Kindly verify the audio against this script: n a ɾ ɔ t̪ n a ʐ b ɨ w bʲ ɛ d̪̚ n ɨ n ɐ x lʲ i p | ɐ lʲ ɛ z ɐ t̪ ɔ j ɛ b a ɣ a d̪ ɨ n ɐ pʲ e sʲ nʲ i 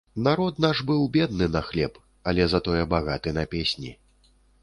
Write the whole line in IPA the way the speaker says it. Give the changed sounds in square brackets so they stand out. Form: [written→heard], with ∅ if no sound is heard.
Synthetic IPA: n a ɾ ɔ t̪ n a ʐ b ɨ w bʲ ɛ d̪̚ n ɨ n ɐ x lʲ [i→ɛ] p | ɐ lʲ ɛ z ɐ t̪ ɔ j ɛ b a ɣ a [d̪→t̪] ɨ n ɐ pʲ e sʲ nʲ i